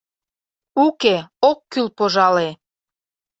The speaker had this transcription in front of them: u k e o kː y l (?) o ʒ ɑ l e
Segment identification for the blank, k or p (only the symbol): p